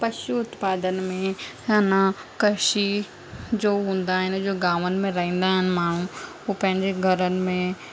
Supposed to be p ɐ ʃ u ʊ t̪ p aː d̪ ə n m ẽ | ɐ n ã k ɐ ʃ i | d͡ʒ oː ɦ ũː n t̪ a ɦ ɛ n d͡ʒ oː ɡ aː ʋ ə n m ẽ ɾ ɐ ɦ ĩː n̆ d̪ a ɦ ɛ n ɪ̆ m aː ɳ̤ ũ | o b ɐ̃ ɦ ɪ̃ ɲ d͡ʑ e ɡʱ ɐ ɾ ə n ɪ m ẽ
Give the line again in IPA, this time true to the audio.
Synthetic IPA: p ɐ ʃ u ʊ t̪ p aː d̪ ə n m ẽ | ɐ n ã k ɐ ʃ i | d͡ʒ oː ɦ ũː n d̪ a ɦ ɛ n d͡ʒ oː ɡ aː ʋ ə n m ẽ ɾ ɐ ɦ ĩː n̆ d̪ a ɦ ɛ n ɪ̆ m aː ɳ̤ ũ | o p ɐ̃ ɦ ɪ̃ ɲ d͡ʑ e ɡʱ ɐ ɾ ə n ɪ m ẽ